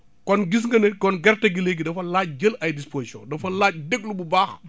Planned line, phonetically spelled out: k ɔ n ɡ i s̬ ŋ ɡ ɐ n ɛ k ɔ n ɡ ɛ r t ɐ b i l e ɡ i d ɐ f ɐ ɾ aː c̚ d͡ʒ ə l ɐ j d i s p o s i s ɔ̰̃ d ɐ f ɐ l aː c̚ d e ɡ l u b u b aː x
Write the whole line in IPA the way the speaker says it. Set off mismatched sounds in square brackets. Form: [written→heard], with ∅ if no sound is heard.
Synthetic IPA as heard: k ɔ n ɡ i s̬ ŋ ɡ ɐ n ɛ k ɔ n ɡ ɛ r t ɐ [b→ɡ] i l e ɡ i d ɐ f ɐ [ɾ→l] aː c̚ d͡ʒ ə l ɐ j d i s p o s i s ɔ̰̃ d ɐ f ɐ l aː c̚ d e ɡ l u b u b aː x